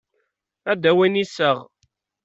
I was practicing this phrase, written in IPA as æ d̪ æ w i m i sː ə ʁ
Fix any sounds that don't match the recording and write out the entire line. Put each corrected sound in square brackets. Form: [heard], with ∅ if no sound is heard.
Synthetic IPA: æ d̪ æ w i [n] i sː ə ʁ